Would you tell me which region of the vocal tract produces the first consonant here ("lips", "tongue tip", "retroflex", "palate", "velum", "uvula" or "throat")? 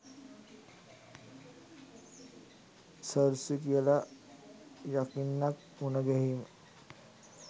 tongue tip